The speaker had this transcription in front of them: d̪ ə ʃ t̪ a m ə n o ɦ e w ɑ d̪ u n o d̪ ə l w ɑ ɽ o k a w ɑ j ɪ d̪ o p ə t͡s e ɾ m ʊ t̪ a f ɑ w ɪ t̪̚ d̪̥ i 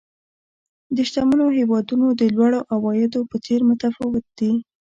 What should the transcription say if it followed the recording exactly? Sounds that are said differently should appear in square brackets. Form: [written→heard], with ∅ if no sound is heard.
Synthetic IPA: d̪ ə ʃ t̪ a m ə n o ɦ e w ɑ d̪ u n o d̪ ə l w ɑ ɽ o [k→ʔ] a w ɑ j ɪ d̪ o p ə t͡s e ɾ m ʊ t̪ a f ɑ w ɪ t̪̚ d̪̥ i